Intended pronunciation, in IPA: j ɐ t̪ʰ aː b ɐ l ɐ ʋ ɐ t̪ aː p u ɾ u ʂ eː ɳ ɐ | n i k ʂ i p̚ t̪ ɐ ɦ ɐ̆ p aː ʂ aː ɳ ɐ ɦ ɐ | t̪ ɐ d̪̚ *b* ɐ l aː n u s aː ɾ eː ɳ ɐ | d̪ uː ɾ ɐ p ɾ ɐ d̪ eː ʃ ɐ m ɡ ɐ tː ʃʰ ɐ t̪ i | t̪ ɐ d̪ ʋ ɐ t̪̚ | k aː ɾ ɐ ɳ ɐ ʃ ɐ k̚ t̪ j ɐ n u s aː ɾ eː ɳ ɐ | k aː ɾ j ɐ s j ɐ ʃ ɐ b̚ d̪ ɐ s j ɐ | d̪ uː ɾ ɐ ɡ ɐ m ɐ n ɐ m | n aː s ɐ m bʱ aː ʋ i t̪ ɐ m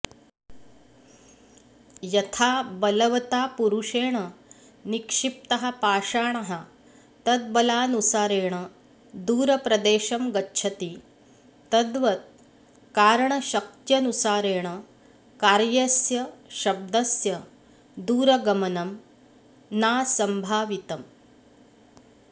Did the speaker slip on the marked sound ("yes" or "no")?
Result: no